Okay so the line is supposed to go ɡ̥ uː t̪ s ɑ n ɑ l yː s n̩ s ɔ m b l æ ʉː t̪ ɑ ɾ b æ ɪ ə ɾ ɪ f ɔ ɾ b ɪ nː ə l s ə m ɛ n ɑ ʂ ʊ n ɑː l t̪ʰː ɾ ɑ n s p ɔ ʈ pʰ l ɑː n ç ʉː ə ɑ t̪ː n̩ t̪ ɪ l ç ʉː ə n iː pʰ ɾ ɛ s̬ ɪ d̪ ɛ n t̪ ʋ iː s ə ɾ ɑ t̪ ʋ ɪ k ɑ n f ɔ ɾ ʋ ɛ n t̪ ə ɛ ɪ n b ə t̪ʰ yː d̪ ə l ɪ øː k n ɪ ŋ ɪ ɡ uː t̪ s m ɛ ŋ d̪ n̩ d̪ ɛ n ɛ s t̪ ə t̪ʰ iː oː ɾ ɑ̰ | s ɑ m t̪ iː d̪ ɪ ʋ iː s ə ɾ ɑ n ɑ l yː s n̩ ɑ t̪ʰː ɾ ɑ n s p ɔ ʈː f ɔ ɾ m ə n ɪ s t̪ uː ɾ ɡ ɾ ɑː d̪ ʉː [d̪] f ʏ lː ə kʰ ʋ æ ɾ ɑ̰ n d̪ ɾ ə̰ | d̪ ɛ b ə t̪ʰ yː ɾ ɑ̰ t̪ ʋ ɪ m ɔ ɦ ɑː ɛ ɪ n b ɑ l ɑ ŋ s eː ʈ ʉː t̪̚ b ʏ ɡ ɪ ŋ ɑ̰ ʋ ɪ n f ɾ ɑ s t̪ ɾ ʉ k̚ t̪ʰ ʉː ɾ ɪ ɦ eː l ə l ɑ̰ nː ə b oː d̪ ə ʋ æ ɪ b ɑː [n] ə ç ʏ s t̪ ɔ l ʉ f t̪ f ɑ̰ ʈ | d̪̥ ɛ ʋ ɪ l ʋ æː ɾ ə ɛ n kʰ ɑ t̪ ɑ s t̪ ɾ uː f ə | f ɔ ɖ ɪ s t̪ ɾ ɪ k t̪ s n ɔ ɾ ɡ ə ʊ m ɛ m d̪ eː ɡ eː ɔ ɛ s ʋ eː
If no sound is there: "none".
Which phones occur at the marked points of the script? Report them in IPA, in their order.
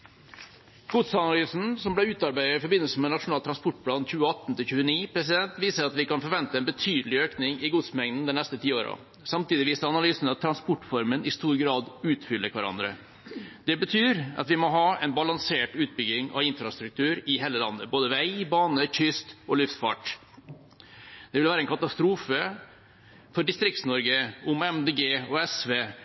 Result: t̪, n

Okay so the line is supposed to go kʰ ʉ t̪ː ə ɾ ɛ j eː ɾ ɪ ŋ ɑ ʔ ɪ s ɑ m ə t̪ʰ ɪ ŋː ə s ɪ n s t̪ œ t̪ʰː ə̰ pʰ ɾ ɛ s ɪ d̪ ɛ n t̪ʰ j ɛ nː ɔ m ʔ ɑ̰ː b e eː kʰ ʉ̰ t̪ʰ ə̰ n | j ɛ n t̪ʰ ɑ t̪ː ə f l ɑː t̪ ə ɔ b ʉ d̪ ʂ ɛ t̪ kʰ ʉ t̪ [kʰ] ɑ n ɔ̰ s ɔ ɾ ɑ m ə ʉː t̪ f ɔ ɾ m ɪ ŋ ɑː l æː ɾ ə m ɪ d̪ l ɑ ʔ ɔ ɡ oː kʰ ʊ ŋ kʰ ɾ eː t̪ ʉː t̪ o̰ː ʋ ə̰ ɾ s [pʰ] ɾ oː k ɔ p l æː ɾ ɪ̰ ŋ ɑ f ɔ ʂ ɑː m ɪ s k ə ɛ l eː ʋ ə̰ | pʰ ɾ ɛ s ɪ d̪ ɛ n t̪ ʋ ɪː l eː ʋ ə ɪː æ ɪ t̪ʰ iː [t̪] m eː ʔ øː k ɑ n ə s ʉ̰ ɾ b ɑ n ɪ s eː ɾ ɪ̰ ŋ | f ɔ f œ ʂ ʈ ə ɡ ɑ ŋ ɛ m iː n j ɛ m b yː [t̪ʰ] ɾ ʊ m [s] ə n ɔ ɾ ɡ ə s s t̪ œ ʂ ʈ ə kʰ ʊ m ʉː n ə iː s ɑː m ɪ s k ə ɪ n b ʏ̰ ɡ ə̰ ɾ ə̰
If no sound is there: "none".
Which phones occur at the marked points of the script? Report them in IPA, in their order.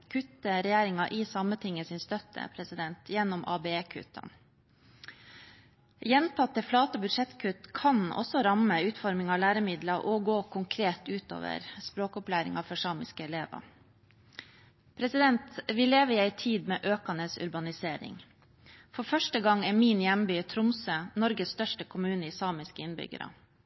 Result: kʰ, p, d̪, t̪ʰ, s

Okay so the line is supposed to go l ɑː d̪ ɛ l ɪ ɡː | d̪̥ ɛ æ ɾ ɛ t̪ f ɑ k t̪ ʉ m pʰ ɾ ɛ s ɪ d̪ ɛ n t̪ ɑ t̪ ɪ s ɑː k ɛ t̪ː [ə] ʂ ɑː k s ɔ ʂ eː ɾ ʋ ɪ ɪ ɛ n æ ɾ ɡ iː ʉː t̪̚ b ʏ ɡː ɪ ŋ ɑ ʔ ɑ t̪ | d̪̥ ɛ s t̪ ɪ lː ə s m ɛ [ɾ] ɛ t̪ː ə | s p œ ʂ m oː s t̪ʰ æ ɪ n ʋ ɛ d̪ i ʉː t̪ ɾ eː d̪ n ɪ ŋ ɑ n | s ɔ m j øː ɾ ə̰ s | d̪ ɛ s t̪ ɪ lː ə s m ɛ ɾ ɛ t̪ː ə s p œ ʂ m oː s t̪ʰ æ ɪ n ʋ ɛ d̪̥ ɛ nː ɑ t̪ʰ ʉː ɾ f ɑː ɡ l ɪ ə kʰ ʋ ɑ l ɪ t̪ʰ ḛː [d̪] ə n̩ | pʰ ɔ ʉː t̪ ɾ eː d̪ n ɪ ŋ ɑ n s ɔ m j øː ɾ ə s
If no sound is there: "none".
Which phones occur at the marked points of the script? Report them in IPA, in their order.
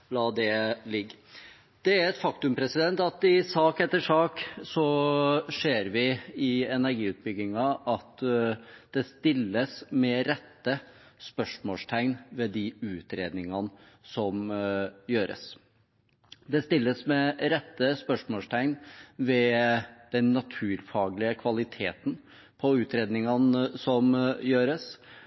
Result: ə, ɾ, t̪

